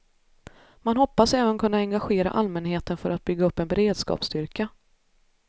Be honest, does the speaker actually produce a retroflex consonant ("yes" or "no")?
no